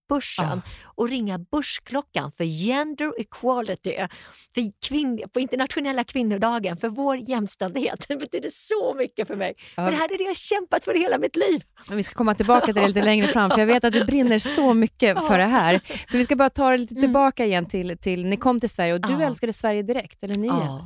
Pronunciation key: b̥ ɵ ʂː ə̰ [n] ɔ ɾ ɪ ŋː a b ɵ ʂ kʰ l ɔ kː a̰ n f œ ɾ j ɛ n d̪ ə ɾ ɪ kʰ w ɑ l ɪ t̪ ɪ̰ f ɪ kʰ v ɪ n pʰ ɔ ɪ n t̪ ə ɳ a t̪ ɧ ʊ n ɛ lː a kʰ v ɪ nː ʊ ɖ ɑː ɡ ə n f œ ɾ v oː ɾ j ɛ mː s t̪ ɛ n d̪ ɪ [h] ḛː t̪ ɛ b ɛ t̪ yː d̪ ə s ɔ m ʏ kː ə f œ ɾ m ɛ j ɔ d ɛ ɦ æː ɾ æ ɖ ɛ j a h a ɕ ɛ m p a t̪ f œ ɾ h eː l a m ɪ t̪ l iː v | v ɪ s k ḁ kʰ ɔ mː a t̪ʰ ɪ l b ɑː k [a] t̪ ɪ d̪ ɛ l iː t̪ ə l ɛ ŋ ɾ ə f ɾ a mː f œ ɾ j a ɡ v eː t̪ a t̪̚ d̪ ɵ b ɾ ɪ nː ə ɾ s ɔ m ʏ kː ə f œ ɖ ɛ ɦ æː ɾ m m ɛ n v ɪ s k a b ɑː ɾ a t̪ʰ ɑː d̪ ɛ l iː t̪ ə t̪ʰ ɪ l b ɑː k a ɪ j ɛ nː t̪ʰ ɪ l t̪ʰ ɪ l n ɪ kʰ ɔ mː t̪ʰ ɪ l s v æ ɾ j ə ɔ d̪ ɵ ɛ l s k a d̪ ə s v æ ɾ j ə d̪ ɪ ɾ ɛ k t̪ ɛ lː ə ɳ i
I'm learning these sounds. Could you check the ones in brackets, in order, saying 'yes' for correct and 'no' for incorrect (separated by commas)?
yes, yes, yes